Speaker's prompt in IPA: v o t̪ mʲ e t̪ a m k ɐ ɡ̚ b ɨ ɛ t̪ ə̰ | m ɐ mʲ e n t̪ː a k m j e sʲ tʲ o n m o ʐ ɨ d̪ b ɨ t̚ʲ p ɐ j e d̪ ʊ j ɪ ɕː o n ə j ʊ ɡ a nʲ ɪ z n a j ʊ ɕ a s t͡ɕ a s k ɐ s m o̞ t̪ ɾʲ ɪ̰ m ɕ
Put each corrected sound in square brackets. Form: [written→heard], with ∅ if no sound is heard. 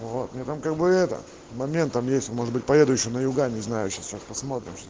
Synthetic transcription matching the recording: v o t̪ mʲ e t̪ a m k [ɐ→a] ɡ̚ b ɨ ɛ t̪ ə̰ | m ɐ mʲ e n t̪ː a [k→∅] m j e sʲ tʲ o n m o ʐ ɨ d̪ b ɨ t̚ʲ p ɐ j e d̪ ʊ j ɪ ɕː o n ə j ʊ ɡ a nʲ ɪ z n a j ʊ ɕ a s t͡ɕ a s [k→p] ɐ s m o̞ t̪ ɾʲ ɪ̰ m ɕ